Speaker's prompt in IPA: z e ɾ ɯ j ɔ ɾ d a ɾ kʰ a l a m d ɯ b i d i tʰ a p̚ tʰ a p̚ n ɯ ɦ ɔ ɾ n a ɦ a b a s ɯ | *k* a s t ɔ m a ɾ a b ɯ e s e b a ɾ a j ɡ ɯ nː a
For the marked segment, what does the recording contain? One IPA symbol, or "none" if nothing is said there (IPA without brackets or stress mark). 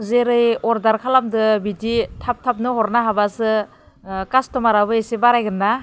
k